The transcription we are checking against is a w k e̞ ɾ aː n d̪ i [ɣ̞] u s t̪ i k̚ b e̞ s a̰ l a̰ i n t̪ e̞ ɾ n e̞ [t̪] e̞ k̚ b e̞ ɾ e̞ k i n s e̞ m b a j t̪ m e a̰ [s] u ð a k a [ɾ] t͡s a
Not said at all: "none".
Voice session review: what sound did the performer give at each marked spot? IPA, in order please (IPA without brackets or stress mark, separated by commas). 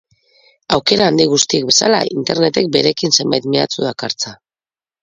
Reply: ɣ̞, t̪, t͡s, ɾ